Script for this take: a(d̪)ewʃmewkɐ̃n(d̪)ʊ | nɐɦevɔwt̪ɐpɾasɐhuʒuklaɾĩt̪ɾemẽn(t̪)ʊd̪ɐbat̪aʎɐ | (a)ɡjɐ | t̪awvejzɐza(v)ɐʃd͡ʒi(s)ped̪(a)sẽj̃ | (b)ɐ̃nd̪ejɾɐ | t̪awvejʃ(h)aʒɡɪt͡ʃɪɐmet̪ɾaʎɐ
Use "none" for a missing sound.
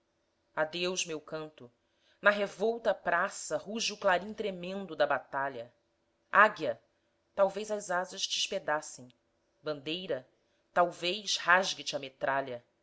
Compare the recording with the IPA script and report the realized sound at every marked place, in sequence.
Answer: d̪, t̪, d̪, a, z, ʃ, a, b, h

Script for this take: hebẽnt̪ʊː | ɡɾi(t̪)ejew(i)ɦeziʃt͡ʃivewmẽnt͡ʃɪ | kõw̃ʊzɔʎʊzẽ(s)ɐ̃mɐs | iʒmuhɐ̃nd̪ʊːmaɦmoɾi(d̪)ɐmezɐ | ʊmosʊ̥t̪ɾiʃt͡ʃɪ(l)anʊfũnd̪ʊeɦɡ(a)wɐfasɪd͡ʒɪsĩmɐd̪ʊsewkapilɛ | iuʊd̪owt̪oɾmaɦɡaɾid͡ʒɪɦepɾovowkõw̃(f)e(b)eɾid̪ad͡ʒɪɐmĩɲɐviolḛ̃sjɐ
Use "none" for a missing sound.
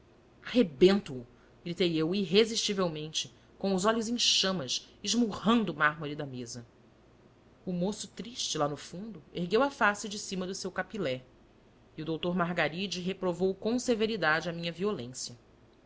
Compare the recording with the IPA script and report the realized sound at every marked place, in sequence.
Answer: t̪, i, ʃ, d̪, l, e, s, v

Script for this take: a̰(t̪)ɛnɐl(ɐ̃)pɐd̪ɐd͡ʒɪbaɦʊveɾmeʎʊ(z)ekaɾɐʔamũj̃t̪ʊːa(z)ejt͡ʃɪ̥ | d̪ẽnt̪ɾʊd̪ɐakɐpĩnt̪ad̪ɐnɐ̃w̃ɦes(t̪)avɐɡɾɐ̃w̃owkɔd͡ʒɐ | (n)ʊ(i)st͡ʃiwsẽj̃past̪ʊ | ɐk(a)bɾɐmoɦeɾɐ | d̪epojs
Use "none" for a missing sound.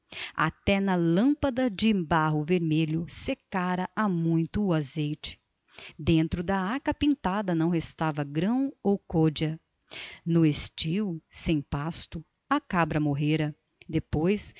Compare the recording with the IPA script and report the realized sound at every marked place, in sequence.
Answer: t̪, ɐ̃, s, z, t̪, n, e, a

